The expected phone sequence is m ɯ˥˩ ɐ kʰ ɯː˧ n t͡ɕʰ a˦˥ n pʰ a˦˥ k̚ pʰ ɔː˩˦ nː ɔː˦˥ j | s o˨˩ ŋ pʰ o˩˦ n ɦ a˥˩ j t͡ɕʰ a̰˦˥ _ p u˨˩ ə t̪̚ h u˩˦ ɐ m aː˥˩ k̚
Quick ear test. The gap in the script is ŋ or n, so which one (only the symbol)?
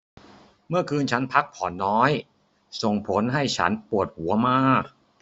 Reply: n